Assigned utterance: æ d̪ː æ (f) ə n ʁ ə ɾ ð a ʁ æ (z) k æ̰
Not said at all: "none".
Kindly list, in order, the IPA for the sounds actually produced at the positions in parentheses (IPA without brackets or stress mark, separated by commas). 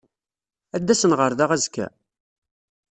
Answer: s, z